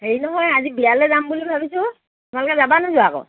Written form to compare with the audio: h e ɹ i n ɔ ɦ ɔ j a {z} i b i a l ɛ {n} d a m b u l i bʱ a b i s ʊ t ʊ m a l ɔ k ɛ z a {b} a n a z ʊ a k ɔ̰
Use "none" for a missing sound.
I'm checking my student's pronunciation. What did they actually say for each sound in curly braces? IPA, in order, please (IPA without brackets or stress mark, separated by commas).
z, none, b